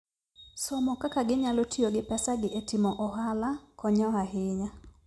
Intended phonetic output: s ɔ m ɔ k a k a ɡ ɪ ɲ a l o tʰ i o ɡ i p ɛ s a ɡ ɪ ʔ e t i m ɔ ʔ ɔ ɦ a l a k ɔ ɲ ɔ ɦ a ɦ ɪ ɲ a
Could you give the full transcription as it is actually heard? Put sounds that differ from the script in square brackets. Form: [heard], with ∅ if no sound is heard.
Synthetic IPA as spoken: s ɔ m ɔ k a k a ɡ ɪ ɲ a l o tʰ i o ɡ [ɪ] p ɛ s a ɡ ɪ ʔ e t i m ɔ ʔ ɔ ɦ a l a k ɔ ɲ ɔ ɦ a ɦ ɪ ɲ a